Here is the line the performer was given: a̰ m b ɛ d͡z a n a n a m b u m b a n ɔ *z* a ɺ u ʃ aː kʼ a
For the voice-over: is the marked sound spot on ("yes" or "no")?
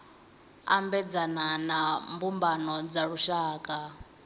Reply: no